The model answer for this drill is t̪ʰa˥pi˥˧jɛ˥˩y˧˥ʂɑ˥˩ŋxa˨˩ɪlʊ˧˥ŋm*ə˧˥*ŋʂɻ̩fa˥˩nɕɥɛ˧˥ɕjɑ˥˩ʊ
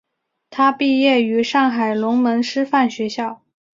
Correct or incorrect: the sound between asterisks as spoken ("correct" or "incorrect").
correct